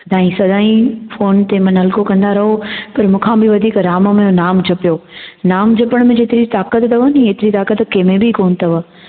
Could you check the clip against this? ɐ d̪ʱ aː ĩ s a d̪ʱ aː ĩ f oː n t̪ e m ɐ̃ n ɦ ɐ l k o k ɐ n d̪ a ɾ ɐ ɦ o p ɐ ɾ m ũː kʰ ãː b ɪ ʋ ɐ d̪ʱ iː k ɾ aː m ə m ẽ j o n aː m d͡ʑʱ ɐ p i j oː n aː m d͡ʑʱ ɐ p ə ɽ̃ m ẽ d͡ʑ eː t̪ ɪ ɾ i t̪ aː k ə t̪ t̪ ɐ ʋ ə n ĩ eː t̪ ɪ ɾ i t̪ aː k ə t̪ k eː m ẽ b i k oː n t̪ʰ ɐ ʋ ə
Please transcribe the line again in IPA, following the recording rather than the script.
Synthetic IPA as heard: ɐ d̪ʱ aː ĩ s ɐ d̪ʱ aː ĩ f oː n t̪ e m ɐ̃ n ɦ ɐ l k o k ɐ̃ n d̪ a ɾ ɐ ɦ o p ɐ ɾ m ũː kʰ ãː b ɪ ʋ ɐ d̪ʱ iː k ɾ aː m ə m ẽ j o n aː m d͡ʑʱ ɐ p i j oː n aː m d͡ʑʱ ɐ p ə ɽ̃ m ẽ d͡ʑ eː t̪ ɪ ɾ i t̪ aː k ə t̪ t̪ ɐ ʋ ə n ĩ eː t̪ ɪ ɾ i t̪ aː k ə t̪ k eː m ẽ b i k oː n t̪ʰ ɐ ʋ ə